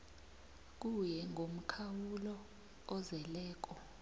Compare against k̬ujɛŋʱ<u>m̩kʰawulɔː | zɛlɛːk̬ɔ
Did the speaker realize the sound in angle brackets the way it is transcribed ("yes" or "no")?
no